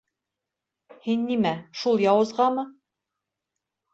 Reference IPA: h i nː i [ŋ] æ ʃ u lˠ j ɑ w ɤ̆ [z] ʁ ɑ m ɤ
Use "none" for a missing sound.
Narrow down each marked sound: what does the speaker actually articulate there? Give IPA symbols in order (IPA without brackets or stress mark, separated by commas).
m, z